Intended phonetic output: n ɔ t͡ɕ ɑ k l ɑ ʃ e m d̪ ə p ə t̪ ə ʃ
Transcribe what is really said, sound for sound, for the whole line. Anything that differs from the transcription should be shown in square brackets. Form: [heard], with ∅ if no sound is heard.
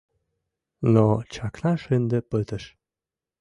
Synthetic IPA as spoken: n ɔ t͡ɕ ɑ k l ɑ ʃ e [n] d̪ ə p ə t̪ ə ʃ